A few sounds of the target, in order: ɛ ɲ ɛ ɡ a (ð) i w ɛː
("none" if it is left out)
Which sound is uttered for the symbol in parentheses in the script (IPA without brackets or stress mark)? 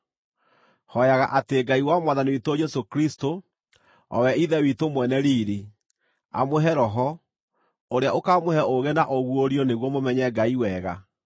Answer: none